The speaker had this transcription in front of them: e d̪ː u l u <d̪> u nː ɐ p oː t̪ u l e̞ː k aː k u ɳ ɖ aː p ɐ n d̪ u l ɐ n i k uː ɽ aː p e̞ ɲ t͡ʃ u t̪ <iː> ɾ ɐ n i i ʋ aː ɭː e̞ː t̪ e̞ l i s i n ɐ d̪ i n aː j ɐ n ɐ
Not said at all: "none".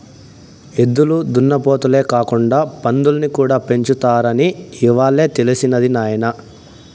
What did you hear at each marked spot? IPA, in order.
d̪, aː

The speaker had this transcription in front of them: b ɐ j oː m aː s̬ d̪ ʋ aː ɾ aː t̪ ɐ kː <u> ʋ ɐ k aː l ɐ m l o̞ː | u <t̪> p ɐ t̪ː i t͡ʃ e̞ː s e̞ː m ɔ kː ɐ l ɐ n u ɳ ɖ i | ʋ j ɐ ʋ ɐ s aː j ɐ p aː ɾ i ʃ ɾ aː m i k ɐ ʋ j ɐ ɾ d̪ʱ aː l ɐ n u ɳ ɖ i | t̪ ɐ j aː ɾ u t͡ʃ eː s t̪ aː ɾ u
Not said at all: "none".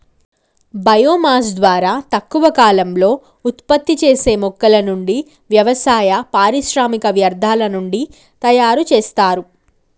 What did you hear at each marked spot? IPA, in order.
u, t̪

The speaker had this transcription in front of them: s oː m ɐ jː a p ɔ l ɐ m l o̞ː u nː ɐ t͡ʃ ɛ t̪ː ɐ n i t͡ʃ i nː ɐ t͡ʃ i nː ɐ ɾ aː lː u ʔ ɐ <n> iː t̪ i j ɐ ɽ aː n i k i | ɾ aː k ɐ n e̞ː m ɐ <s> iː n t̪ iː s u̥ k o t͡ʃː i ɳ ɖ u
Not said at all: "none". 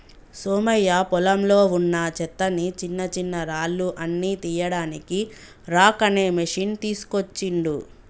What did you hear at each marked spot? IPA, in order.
nː, ʂ

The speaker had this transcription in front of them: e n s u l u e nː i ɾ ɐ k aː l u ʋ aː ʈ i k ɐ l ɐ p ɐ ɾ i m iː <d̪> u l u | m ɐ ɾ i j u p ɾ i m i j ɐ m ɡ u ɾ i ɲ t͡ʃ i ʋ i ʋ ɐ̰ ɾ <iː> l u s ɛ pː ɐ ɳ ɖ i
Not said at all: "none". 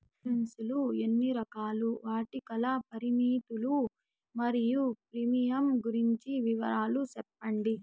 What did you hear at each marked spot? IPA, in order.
t̪, aː

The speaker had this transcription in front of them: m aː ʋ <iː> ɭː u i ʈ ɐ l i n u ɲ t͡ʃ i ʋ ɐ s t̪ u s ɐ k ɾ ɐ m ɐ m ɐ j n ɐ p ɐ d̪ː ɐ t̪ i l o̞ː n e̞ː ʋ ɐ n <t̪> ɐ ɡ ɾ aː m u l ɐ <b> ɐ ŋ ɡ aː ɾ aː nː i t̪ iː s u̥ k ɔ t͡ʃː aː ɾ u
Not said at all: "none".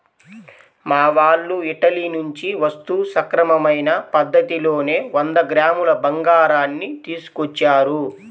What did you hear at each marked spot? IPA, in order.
aː, d̪, b

